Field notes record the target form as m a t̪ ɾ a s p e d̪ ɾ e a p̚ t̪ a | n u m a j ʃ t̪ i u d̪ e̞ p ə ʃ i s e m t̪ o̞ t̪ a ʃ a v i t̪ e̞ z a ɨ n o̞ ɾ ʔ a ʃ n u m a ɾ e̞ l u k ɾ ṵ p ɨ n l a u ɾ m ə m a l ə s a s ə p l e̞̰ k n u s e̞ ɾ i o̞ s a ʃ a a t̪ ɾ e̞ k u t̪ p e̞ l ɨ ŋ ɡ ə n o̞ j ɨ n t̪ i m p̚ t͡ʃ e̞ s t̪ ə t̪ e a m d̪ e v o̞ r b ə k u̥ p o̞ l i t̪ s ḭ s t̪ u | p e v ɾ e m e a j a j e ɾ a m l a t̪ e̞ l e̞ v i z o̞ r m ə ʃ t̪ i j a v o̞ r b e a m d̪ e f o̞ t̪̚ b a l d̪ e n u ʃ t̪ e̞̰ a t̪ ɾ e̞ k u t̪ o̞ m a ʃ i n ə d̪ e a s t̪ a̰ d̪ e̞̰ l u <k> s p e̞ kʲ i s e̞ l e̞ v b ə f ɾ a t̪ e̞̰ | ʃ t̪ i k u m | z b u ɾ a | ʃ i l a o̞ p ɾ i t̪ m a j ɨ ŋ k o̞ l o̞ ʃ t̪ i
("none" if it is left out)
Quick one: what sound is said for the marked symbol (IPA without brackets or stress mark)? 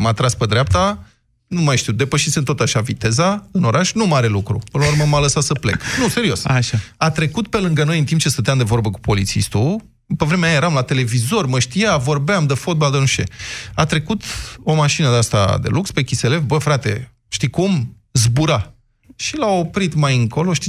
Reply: k